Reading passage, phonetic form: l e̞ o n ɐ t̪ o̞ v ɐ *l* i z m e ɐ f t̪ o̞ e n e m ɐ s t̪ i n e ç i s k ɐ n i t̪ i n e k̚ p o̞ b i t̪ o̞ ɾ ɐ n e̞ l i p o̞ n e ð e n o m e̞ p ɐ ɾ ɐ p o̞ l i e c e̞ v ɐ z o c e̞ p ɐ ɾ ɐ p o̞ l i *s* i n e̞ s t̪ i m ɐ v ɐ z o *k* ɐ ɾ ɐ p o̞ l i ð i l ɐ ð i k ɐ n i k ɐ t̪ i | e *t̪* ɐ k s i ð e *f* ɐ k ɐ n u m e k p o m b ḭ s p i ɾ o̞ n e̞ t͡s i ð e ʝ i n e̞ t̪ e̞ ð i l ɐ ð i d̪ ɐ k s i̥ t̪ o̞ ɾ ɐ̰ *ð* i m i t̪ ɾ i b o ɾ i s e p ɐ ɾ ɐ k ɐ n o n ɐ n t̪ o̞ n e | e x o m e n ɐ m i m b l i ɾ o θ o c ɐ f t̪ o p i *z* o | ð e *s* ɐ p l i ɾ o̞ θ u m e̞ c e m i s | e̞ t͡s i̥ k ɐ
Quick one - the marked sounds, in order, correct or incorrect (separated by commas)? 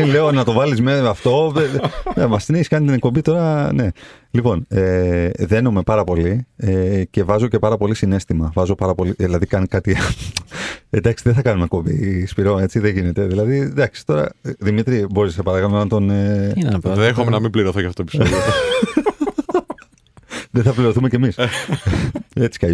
correct, correct, incorrect, incorrect, incorrect, correct, incorrect, incorrect